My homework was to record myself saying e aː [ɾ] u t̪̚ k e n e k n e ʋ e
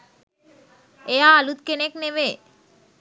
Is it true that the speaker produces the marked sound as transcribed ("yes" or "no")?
no